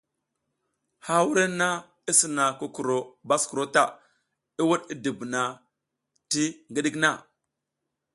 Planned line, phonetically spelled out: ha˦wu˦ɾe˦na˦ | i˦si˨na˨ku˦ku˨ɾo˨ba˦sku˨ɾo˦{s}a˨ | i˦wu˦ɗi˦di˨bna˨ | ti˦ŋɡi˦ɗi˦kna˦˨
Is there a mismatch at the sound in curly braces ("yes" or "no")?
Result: yes